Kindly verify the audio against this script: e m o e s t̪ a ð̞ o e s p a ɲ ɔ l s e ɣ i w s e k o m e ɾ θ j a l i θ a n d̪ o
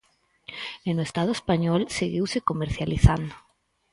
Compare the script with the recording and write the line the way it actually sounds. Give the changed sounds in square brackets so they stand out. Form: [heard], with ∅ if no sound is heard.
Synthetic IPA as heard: e [n] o e s t̪ a ð̞ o e s p a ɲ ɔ l s e ɣ i w s e k o m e ɾ θ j a l i θ a n d̪ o